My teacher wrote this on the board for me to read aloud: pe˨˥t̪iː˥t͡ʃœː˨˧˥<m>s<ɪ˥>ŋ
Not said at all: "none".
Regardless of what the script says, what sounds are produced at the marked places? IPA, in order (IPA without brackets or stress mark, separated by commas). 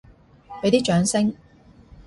ŋ, ɪ˥